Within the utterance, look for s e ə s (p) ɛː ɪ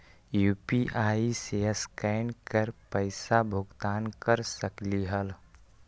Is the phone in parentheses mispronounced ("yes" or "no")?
yes